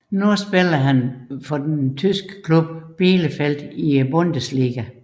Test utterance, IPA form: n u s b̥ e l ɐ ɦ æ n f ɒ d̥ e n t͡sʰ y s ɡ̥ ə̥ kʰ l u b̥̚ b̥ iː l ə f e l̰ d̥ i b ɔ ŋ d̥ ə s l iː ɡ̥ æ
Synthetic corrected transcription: n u s b̥ e l ɐ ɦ æ n f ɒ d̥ e n t͡sʰ y s ɡ̥ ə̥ kʰ l u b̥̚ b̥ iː l ə f e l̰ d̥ i b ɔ n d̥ ə s l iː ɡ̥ æ

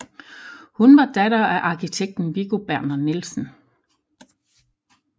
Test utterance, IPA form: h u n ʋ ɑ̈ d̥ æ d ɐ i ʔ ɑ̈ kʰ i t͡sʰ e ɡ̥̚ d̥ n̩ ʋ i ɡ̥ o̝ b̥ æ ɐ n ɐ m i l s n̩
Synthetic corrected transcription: h u n ʋ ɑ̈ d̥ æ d ɐ æ ʔ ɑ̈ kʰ i t͡sʰ e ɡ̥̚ d̥ n̩ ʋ i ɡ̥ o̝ b̥ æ ɐ n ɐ n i l s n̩

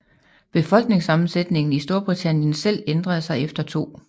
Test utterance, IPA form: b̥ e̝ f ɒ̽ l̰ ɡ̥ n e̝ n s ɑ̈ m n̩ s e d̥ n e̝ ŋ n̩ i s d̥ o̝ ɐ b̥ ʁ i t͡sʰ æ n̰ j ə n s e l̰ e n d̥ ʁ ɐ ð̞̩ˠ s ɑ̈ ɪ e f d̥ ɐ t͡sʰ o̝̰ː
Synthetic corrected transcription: b̥ e̝ f ɒ̽ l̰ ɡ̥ n e̝ ŋ s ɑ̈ m n̩ s e d̥ n e̝ ŋ n̩ i s d̥ o̝ ɐ b̥ ʁ i t͡sʰ æ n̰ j ə n s e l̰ e n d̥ ʁ ɐ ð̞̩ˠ s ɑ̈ ɪ e f d̥ ɐ t͡sʰ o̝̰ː

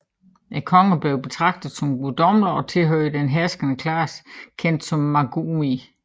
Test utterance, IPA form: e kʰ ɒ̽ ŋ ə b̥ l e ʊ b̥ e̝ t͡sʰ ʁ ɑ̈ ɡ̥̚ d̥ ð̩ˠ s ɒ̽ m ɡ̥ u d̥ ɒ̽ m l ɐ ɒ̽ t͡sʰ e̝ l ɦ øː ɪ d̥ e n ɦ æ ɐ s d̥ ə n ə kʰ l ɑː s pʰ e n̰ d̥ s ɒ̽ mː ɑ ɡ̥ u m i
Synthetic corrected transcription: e kʰ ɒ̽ ŋ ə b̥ l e ʊ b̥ e̝ t͡sʰ ʁ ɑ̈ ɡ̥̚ d̥ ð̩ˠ s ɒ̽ m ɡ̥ u d̥ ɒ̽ m l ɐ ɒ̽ t͡sʰ e̝ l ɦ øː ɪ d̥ e n ɦ æ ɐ s ɡ̥ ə n ə kʰ l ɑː s kʰ e n̰ d̥ s ɒ̽ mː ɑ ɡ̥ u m i

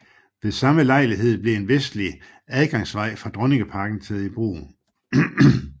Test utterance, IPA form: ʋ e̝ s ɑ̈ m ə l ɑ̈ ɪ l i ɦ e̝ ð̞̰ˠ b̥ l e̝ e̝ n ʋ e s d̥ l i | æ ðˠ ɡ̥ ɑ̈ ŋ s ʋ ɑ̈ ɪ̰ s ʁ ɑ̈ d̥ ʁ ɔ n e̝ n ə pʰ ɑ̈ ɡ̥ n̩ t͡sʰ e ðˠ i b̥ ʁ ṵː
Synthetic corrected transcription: ʋ e̝ s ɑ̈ m ə l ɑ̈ ɪ l i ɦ e̝ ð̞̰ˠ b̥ l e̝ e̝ n ʋ e s d̥ l i | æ ðˠ ɡ̥ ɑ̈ ŋ s ʋ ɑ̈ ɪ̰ f ʁ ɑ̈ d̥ ʁ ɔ n e̝ ŋ ə pʰ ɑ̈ ɡ̥ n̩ t͡sʰ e ðˠ i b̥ ʁ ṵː

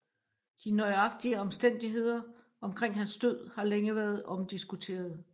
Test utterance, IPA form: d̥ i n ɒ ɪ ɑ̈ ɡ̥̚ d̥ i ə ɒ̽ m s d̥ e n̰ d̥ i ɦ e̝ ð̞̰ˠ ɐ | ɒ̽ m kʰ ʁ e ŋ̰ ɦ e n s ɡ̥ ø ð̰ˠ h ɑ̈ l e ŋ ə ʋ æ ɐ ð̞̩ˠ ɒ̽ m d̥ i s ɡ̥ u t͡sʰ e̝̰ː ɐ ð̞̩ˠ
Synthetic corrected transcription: d̥ i n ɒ ɪ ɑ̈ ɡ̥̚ d̥ i ə ɒ̽ m s d̥ e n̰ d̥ i ɦ e̝ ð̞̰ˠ ɐ | ɒ̽ m kʰ ʁ e ŋ̰ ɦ æ n s d̥ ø ð̰ˠ h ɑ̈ l e ŋ ə ʋ æ ɐ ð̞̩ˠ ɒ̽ m d̥ i s ɡ̥ u t͡sʰ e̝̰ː ɐ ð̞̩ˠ

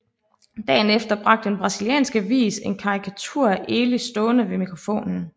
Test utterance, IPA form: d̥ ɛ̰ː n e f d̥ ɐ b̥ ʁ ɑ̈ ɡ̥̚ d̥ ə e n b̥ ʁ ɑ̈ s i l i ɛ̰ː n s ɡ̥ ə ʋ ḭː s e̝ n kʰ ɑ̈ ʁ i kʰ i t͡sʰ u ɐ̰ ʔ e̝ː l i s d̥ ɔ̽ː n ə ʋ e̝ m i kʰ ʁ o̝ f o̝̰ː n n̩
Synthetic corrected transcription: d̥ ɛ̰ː n e f d̥ ɐ b̥ ʁ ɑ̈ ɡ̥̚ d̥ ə e n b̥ ʁ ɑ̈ s i l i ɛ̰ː n s ɡ̥ ə ʋ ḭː s e̝ n kʰ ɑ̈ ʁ i kʰ æ t͡sʰ u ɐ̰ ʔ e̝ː l i s d̥ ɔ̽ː n ə ʋ e̝ m i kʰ ʁ o̝ f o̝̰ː n n̩

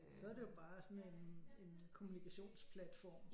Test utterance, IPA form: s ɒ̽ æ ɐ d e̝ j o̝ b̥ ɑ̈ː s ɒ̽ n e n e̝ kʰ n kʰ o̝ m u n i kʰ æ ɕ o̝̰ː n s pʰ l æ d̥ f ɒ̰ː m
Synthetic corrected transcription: s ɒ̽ æ ɐ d e̝ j o̝ b̥ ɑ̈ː s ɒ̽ n e n e̝ n kʰ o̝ m u n i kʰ æ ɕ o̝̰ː n s pʰ l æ d̥ f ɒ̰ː m

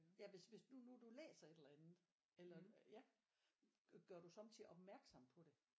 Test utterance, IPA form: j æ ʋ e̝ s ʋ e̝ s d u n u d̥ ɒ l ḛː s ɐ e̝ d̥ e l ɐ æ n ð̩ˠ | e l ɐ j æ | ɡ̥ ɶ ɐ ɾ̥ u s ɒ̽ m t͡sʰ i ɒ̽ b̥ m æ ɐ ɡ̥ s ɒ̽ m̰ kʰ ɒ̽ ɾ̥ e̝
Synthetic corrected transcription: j æ ʋ e̝ s ʋ e̝ s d u n u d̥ u l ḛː s ɐ e̝ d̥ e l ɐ æ n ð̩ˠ | e l ɐ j æ | ɡ̥ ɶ ɐ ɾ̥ u s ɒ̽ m t͡sʰ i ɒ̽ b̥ m æ ɐ ɡ̥ s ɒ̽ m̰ pʰ ɒ̽ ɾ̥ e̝

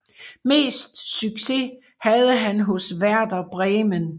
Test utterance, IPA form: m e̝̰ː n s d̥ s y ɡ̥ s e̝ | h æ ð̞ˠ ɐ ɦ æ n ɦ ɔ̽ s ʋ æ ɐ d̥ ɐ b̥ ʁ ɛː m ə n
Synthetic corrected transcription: m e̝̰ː s d̥ s y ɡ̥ s e̝ | h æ ð̞ˠ ə ɦ æ n ɦ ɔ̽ s ʋ æ ɐ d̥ ɐ b̥ ʁ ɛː m ə n

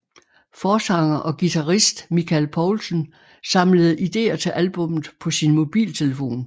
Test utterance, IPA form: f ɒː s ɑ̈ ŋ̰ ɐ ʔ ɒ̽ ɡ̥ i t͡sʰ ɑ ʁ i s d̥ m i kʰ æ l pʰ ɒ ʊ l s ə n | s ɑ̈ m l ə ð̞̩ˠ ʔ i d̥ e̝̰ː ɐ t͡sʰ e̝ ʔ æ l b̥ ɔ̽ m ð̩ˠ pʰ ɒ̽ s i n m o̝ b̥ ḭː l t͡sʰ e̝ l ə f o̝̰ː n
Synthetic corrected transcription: f ɒː s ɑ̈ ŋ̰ ɐ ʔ ɒ̽ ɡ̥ i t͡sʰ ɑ ʁ i s d̥ m i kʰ æ l pʰ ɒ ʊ l s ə n | s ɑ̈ m l ə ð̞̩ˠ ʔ i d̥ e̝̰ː ɐ t͡sʰ e̝ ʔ æ l b̥ ɔ̽ m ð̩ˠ pʰ ɒ̽ s i n m o̝ b̥ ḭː l t͡sʰ e̝ l ə f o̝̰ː n

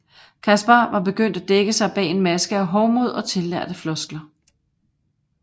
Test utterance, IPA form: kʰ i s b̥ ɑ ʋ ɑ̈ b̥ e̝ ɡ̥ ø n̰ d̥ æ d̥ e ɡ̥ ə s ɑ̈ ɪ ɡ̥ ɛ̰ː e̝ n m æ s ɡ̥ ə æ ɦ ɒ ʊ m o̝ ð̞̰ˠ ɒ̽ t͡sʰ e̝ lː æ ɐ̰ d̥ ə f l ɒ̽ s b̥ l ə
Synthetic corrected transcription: kʰ æ s b̥ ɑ ʋ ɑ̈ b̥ e̝ ɡ̥ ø n̰ d̥ æ d̥ e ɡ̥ ə s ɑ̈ ɪ b̥ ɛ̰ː e̝ n m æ s ɡ̥ ə æ ɦ ɒ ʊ m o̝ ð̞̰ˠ ɒ̽ t͡sʰ e̝ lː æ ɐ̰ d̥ ə f l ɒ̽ s ɡ̥ l ɐ

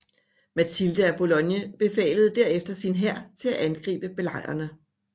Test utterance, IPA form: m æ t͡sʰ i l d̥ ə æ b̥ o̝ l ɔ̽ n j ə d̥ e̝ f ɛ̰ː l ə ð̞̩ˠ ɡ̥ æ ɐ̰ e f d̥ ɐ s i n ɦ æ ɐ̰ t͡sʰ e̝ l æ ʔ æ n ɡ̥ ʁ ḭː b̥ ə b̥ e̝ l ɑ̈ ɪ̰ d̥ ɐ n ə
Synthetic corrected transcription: m æ t͡sʰ i l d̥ ə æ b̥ o̝ l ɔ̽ n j ə b̥ e̝ f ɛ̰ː l ə ð̞̩ˠ d̥ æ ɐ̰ e f d̥ ɐ s i n ɦ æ ɐ̰ t͡sʰ e̝ l æ ʔ æ n ɡ̥ ʁ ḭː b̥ ə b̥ e̝ l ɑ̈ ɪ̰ ɐ n ə

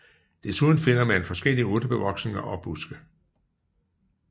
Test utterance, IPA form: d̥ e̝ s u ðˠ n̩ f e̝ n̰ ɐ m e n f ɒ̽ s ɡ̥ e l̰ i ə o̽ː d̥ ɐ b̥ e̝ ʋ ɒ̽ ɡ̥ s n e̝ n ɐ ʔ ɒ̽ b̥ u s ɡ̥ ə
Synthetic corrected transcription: d̥ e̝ s u ðˠ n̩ f e̝ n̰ ɐ m æ n f ɒ̽ s ɡ̥ e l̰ i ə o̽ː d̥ ə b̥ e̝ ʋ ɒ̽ ɡ̥ s n e̝ ŋ ɐ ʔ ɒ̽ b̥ u s ɡ̥ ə

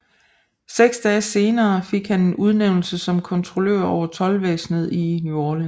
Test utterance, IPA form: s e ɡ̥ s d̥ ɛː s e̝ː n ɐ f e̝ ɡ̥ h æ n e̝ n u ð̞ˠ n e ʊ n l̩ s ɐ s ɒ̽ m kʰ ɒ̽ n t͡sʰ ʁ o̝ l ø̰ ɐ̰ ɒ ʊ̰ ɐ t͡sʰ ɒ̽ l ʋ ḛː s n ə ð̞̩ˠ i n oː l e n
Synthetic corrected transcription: s e ɡ̥ s d̥ ɛː s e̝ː n ɐː f e̝ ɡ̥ h æ n e̝ n u ð̞ˠ n e ʊ n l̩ s ə s ɒ̽ m kʰ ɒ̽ n t͡sʰ ʁ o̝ l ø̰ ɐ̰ ɒ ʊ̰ ɐ t͡sʰ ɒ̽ l ʋ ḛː s n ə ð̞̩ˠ i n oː l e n

